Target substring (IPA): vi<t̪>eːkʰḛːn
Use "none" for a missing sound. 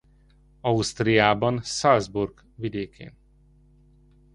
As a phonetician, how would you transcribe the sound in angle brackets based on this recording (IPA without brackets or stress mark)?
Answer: d̪